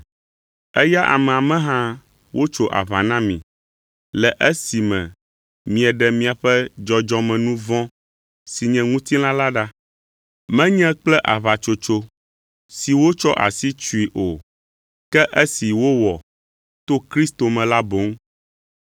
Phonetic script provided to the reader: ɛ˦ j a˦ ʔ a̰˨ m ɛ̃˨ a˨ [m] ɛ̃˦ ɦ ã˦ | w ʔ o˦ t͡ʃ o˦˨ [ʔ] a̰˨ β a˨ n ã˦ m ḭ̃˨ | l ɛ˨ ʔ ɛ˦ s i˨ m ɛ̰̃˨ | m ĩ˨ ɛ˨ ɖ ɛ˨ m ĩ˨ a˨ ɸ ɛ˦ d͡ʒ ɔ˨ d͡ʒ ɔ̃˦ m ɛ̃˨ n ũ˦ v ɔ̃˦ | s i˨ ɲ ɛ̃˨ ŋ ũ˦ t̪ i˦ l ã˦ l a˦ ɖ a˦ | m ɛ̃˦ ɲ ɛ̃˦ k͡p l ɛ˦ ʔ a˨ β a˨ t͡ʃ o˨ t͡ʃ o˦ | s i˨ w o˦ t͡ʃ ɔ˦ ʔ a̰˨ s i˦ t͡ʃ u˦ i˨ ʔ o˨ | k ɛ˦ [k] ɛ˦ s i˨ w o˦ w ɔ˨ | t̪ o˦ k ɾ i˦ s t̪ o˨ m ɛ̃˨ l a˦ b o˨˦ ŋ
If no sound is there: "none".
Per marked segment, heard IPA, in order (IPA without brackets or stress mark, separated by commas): m, ʔ, ʔ